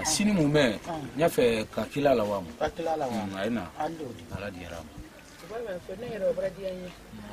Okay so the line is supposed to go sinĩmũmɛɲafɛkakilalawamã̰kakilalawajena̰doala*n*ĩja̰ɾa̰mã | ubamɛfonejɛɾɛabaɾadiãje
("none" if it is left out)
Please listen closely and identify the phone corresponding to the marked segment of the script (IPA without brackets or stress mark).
d